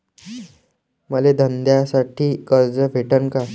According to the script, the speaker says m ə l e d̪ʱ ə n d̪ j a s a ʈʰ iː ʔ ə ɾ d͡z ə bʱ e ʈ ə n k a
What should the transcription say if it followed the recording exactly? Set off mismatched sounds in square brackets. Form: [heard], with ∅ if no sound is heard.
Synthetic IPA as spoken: m ə l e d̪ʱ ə n d̪ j a s a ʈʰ iː [k] ə ɾ d͡z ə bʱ e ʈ ə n k a